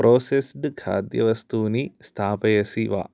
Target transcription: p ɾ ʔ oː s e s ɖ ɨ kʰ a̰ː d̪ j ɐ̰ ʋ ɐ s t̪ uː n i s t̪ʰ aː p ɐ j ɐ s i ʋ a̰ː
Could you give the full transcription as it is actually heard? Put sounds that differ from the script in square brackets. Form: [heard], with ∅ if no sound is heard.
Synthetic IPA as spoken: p ɾ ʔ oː s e s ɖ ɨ kʰ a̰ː d̪ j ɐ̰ ʋ ɐ s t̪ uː n i s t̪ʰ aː p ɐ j ɐ s i ʋ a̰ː